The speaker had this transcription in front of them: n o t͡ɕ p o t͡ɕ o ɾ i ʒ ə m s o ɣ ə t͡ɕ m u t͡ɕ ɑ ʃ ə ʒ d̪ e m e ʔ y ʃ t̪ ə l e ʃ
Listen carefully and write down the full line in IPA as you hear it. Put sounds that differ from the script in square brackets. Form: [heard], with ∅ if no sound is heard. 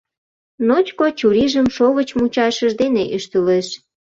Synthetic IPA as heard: n o t͡ɕ [k] o t͡ɕ [u] ɾ i ʒ ə m [ʃ] o ɣ ə t͡ɕ m u t͡ɕ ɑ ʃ ə ʒ d̪ e [n] e ʔ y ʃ t̪ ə l e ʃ